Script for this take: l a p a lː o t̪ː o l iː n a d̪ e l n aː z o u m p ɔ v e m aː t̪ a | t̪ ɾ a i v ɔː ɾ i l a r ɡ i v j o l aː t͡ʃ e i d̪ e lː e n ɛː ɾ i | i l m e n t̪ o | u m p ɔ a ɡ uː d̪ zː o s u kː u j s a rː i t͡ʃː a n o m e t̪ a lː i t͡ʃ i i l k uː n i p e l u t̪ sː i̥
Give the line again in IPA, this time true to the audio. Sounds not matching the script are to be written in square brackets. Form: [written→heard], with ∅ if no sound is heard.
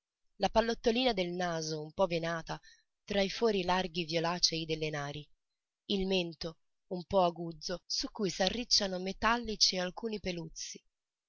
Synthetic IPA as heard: l a p a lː o t̪ː o l iː n a d̪ e l n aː z o u m p ɔ v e [m→n] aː t̪ a | t̪ ɾ a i [v→f] ɔː ɾ i l a r ɡ i v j o l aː t͡ʃ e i d̪ e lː e n [ɛː→aː] ɾ i | i l m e n t̪ o | u m p ɔ a ɡ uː d̪ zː o s u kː u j s a rː i t͡ʃː a n o m e t̪ a lː i t͡ʃ i [i→a] l k uː n i p e l u t̪ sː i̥